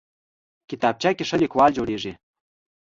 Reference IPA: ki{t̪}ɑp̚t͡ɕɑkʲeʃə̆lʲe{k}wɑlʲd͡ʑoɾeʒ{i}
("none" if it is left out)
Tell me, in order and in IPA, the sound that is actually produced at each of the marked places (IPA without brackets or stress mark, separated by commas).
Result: t̪, k, e